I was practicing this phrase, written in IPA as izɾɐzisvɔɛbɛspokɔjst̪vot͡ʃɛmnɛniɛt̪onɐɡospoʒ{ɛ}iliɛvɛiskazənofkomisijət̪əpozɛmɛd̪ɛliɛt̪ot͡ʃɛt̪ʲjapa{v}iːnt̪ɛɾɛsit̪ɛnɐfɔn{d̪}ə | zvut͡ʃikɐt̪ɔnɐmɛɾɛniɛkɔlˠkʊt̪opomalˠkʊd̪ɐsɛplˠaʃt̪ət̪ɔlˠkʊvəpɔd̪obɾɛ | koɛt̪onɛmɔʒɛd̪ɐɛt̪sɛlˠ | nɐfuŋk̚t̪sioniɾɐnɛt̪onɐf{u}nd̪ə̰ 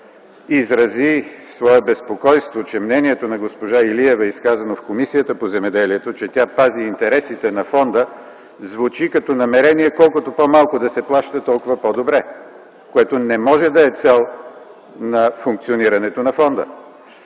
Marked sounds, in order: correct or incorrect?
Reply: incorrect, incorrect, correct, incorrect

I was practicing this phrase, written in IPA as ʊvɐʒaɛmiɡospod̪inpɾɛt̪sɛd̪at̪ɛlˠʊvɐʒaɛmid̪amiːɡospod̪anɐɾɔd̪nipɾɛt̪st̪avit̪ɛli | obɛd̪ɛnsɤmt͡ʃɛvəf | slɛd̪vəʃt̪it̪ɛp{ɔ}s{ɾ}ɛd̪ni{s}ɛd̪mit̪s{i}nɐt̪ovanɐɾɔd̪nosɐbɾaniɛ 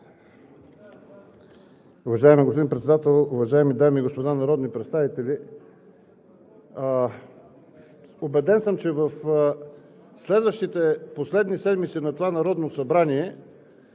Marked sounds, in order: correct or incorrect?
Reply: incorrect, incorrect, correct, correct

